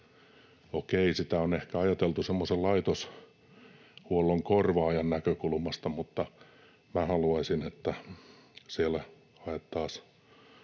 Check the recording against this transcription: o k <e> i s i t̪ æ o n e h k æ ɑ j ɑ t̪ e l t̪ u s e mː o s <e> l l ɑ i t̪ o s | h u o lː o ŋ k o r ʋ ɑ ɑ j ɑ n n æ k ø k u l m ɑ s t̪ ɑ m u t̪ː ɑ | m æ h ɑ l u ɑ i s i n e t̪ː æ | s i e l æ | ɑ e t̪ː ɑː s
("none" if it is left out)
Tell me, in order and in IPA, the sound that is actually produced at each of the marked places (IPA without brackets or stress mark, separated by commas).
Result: e, e